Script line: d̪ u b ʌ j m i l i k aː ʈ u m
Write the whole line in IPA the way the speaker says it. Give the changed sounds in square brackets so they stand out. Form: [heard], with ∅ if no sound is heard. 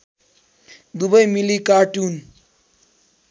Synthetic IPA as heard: d̪ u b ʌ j m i l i k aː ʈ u [n]